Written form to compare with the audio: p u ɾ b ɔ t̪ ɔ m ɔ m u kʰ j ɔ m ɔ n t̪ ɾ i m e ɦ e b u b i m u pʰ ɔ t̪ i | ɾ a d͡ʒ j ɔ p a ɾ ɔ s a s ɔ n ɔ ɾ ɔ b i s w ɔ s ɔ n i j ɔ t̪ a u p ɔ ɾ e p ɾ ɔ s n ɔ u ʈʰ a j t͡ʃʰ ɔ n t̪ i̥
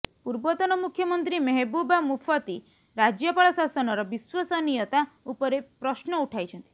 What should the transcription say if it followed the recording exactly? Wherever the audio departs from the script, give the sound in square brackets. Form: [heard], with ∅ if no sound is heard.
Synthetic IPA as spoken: p u ɾ b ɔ t̪ ɔ [n] ɔ m u kʰ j ɔ m ɔ n t̪ ɾ i m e ɦ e b u b [a] m u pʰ ɔ t̪ i | ɾ a d͡ʒ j ɔ p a [ɭ] ɔ s a s ɔ n ɔ ɾ ɔ b i s w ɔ s ɔ n i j ɔ t̪ a u p ɔ ɾ e p ɾ ɔ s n ɔ u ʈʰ a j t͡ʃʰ ɔ n t̪ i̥